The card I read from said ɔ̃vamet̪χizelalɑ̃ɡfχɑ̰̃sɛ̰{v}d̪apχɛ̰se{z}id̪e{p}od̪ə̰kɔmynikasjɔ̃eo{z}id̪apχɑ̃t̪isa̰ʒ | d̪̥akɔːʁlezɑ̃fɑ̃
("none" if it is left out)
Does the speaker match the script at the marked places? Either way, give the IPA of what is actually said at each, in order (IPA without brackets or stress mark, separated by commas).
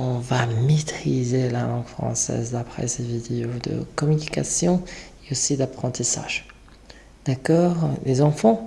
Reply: z, v, none, s